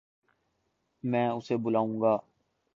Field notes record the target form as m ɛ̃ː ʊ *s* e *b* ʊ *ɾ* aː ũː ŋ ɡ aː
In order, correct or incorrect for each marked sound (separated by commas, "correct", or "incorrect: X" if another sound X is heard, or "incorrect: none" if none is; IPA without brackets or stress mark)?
correct, correct, incorrect: l